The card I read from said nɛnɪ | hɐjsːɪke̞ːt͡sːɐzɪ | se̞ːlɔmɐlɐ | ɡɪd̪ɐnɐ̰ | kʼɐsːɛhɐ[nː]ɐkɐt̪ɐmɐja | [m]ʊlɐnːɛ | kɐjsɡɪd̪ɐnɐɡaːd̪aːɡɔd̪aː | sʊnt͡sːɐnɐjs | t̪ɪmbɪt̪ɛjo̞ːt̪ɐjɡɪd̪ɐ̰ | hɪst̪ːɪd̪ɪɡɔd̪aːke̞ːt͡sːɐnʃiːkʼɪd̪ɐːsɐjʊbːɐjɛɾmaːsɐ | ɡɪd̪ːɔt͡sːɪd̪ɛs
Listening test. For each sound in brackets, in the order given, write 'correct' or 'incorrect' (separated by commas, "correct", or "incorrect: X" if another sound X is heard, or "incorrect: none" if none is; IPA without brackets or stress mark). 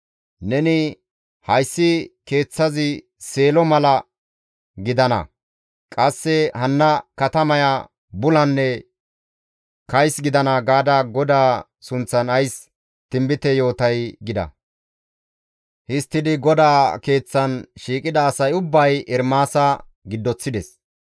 correct, incorrect: b